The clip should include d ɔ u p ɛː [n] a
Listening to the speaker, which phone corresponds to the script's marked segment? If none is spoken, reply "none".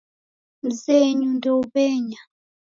ɲ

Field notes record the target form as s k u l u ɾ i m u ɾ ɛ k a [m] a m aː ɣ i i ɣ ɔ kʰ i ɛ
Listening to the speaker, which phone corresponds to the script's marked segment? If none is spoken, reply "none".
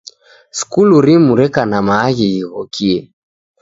n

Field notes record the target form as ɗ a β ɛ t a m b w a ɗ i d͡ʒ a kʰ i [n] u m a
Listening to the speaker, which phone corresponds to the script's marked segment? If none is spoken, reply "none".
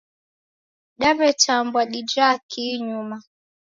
ɲ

